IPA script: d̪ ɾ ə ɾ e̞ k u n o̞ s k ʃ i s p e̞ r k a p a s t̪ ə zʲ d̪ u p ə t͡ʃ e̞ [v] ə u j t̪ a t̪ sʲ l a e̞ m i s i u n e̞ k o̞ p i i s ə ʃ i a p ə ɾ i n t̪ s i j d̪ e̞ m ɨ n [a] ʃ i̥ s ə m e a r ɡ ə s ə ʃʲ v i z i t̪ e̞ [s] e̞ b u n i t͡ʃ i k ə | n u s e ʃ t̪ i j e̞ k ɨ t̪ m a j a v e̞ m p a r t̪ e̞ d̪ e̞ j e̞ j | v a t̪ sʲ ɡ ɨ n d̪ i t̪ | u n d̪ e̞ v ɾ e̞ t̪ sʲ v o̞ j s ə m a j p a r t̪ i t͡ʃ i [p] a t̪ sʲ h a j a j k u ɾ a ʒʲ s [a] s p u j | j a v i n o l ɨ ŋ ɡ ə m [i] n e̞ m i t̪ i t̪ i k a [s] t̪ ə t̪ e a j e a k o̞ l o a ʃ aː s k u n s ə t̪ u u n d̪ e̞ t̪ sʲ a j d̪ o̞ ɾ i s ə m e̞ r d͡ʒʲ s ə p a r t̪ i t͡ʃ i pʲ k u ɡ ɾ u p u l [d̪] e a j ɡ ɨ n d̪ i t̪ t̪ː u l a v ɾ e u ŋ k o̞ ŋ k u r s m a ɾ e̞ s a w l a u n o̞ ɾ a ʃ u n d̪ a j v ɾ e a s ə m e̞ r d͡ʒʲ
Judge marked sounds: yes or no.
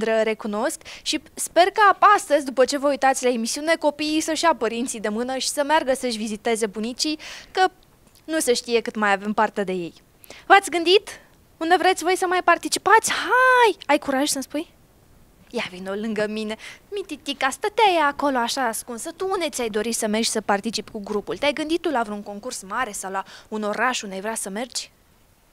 yes, no, no, yes, no, yes, yes, no

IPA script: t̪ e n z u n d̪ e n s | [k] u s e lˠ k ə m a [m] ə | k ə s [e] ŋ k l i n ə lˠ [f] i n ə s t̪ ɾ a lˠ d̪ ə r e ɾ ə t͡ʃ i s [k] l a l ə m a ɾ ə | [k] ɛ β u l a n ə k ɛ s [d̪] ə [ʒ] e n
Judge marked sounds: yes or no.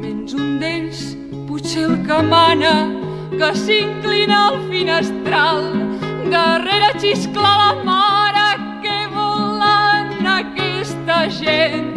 no, no, no, yes, yes, yes, no, yes

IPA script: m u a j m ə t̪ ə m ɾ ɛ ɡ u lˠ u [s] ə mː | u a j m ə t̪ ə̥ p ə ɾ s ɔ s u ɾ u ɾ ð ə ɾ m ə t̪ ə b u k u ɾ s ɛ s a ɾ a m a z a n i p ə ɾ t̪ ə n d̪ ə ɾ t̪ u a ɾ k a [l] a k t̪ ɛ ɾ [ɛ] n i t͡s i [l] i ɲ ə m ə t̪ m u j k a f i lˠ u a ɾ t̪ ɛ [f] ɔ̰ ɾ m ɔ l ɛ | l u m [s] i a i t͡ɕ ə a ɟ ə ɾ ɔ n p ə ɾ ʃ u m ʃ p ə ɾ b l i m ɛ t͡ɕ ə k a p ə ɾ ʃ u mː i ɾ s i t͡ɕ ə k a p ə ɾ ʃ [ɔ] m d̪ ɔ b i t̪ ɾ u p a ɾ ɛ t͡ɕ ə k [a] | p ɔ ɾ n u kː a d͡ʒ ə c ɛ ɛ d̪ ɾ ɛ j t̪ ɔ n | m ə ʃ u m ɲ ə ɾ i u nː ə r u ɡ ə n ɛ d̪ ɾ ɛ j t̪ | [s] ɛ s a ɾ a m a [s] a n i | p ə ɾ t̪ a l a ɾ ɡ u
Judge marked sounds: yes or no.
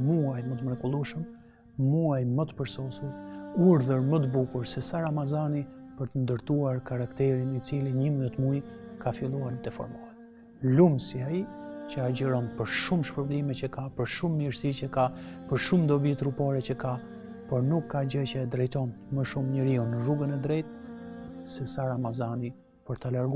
no, no, no, yes, yes, yes, no, yes, yes, no

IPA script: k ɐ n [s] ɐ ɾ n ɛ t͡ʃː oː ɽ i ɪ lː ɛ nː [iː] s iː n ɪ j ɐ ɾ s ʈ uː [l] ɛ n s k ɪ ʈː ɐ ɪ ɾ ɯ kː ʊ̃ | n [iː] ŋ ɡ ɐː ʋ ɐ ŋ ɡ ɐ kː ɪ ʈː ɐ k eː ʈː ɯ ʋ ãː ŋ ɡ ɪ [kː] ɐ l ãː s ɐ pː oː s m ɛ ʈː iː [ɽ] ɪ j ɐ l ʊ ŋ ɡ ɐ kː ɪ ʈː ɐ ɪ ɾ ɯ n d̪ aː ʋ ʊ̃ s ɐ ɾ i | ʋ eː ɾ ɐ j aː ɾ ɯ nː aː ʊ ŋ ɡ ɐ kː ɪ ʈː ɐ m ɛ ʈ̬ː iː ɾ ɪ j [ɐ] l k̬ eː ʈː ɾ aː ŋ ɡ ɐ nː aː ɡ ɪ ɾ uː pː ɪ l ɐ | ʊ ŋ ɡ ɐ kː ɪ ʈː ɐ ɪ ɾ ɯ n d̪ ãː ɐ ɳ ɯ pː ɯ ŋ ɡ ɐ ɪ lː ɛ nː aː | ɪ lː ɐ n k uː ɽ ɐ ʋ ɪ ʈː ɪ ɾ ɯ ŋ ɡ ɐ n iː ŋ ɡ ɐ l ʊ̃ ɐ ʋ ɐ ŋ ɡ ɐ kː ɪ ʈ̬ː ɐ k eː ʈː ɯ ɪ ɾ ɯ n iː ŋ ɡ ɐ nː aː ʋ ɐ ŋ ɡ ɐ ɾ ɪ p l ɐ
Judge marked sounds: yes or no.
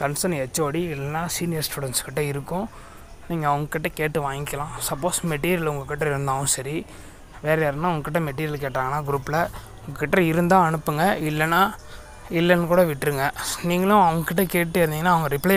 yes, no, no, yes, yes, no, yes

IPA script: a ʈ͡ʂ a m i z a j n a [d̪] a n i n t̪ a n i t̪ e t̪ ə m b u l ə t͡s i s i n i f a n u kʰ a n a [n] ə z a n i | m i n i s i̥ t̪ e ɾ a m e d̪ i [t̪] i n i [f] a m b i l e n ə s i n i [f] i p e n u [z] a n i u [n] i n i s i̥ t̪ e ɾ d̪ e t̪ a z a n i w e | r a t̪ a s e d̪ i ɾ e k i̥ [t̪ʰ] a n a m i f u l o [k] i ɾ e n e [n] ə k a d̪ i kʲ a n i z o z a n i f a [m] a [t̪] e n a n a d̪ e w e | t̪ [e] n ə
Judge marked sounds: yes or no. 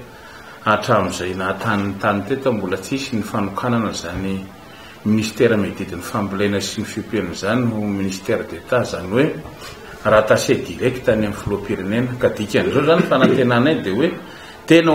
no, yes, no, yes, yes, yes, no, no, no, yes, no, yes, yes

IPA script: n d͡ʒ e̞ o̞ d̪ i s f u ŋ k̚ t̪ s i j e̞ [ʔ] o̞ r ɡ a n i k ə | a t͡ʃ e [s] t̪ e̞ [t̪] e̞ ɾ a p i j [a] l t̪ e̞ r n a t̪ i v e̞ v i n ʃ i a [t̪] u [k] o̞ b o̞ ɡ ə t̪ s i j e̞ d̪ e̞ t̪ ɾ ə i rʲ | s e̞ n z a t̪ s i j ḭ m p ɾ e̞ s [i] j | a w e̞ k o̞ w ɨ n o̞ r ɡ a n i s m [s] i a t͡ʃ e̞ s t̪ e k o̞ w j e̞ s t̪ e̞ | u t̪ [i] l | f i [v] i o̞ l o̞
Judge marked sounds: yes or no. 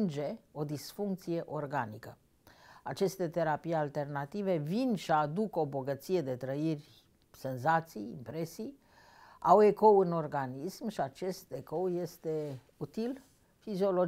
yes, yes, yes, yes, no, yes, yes, no, yes, no

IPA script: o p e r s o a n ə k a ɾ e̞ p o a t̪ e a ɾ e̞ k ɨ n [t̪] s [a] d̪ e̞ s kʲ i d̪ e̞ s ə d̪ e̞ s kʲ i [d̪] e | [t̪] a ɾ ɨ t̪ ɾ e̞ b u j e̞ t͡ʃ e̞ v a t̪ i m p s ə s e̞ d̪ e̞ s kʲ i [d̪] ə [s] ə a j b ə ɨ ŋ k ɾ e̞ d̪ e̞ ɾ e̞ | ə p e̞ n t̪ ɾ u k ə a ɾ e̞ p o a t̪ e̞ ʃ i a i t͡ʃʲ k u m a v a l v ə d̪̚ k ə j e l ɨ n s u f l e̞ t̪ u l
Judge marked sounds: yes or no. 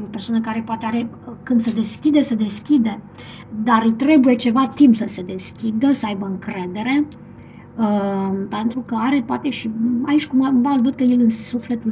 no, no, yes, no, yes, yes

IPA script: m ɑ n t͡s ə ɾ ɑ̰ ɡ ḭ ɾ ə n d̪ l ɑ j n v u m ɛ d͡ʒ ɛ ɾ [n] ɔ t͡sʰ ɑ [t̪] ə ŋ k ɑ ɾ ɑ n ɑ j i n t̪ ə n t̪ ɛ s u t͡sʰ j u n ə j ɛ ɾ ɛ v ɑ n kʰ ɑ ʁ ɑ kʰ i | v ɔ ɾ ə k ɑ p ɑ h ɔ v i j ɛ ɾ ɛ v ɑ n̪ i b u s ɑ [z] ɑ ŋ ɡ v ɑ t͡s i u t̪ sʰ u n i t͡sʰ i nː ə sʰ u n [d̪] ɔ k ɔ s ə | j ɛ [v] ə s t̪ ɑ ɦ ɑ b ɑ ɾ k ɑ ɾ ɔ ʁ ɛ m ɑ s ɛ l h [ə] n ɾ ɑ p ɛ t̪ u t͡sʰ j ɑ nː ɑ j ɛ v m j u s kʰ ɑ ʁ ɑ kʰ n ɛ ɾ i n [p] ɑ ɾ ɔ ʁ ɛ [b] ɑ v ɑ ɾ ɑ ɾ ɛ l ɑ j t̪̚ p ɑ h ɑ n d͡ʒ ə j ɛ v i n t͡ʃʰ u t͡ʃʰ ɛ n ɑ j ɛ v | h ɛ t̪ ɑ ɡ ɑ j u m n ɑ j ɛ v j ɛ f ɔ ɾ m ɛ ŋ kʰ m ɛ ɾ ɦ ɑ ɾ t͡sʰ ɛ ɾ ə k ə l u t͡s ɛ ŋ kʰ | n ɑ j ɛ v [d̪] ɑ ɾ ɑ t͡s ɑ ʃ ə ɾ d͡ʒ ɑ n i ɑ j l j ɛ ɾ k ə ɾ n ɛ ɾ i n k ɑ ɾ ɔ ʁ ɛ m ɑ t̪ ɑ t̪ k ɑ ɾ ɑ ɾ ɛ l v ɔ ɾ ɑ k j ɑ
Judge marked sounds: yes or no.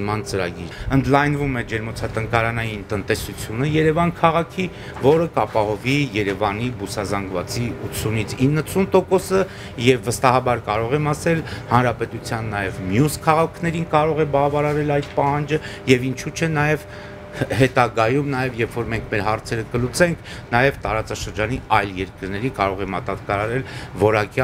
no, yes, yes, no, no, no, no, yes, no

